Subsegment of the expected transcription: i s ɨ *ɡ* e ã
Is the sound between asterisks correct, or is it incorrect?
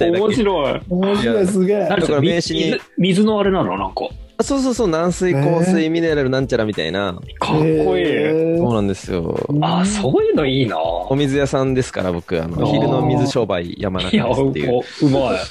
correct